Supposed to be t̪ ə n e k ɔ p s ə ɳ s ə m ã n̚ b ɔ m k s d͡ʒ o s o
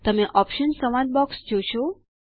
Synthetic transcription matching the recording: t̪ ə m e ʔ ɔ p ʃ ə n s ə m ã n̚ b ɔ k s d͡ʒ o ʃ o